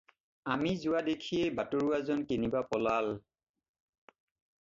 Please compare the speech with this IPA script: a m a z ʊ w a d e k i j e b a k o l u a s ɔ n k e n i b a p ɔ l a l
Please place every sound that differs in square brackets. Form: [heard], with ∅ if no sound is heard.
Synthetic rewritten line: a m [i] z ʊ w a d e [kʰ] i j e b a [t] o [ɹ] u a [z] ɔ n k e n i b a p ɔ l a l